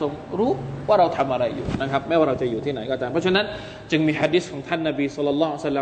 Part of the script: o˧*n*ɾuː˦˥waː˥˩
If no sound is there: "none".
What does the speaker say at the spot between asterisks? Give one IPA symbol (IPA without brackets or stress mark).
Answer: ŋ